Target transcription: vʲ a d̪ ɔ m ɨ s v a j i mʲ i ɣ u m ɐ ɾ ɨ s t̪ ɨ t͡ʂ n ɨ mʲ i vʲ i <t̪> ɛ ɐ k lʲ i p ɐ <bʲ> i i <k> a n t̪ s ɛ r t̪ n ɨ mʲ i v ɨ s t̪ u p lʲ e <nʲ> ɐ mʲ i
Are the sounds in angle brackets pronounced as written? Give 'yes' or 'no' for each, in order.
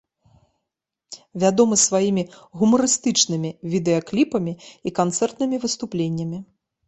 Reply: no, no, yes, no

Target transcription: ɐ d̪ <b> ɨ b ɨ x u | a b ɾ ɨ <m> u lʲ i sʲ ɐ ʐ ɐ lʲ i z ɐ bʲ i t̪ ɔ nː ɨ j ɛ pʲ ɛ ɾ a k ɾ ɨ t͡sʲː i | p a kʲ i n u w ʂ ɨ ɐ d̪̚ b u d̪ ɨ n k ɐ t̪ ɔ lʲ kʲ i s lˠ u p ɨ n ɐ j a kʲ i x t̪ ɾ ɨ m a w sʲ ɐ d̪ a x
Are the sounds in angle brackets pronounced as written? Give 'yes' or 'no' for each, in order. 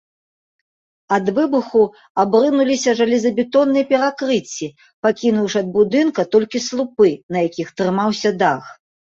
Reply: no, no

